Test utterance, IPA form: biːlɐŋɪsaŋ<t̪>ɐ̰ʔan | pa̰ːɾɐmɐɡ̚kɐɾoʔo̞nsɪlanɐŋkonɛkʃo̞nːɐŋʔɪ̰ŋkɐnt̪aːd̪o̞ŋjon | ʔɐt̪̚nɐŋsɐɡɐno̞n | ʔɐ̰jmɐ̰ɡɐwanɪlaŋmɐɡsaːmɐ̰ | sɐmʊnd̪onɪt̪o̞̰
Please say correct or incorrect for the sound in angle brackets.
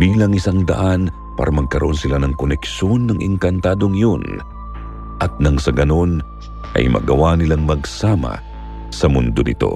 incorrect